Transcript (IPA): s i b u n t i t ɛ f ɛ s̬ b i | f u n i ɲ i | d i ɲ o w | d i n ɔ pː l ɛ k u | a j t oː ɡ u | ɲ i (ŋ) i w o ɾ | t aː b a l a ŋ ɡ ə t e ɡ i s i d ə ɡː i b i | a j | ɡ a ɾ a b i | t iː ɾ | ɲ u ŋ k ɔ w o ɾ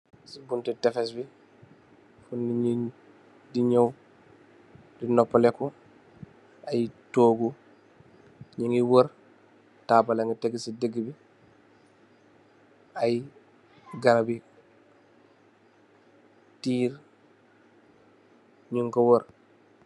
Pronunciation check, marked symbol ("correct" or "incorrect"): correct